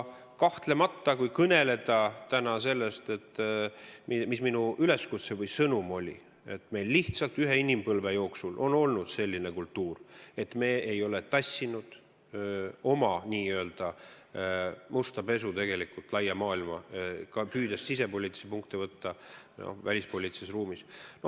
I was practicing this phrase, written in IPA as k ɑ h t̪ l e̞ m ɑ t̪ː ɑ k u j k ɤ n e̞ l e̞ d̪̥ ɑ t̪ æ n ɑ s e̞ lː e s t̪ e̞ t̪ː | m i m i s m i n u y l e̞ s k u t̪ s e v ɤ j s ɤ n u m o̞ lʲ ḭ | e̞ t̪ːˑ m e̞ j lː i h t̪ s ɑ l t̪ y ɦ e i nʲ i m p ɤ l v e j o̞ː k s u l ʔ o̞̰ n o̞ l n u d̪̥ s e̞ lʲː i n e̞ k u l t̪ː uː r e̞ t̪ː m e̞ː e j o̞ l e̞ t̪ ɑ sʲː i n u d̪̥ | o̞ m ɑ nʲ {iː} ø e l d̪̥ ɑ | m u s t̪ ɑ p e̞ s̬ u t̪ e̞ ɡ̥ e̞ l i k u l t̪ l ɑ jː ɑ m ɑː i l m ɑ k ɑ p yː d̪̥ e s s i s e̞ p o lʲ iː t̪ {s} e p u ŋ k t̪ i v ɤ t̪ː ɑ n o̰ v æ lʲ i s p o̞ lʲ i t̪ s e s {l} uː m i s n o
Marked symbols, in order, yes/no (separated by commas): yes, yes, no